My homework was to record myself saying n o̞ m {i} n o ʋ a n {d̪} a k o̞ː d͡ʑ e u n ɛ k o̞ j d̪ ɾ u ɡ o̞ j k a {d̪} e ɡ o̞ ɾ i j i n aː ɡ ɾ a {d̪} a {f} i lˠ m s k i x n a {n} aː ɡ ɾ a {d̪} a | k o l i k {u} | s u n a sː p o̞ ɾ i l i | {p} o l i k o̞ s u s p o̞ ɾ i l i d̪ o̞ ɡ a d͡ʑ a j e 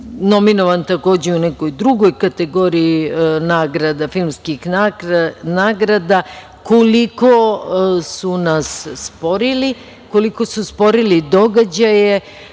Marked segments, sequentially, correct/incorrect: correct, incorrect, incorrect, correct, correct, correct, correct, incorrect, incorrect

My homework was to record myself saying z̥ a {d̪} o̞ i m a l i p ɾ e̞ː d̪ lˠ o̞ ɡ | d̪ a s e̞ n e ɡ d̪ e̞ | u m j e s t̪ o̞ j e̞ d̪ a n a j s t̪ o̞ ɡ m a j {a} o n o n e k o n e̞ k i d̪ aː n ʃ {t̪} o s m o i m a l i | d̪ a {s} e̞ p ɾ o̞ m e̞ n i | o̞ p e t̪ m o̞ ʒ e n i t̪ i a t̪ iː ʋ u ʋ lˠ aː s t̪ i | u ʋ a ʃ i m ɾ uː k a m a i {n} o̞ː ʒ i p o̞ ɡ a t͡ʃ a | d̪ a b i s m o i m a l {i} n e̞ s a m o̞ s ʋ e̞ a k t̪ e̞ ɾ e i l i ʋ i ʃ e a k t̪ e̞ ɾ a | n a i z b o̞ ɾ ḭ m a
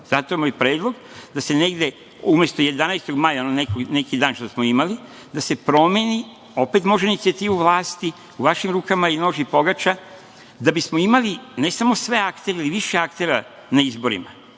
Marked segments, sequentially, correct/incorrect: incorrect, correct, correct, correct, correct, correct

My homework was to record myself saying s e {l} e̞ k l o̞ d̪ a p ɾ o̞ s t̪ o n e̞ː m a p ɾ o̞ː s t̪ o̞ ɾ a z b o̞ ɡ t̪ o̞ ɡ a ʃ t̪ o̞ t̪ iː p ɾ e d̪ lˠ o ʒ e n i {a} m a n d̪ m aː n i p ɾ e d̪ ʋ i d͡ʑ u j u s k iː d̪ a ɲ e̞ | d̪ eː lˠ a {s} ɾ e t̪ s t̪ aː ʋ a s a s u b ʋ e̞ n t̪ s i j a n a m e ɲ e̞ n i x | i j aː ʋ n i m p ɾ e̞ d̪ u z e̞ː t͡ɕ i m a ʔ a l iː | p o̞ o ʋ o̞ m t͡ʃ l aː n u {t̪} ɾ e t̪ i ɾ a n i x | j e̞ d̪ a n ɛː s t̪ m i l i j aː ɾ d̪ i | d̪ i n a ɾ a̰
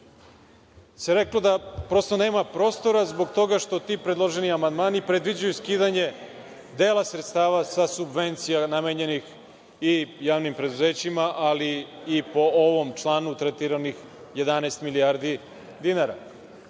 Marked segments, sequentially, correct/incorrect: incorrect, correct, correct, correct

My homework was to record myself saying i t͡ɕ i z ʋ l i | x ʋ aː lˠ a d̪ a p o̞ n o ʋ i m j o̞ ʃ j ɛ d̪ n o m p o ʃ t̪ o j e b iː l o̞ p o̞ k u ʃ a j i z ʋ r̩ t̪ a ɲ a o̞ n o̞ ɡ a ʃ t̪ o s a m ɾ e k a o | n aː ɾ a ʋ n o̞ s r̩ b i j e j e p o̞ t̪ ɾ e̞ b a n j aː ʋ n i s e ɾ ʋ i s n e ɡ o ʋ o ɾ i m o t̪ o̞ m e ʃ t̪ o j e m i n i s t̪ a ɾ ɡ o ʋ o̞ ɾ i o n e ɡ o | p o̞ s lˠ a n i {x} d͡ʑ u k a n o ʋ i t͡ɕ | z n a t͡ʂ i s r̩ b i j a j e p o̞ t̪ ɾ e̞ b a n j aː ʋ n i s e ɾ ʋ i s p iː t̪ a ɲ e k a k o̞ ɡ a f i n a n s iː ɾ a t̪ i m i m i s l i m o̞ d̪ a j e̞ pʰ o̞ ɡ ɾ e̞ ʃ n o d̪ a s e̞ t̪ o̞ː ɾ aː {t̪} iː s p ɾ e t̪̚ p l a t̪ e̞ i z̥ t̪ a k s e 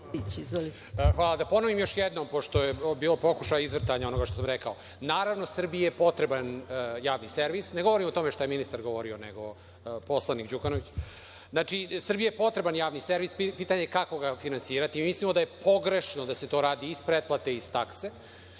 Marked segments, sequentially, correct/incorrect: incorrect, incorrect

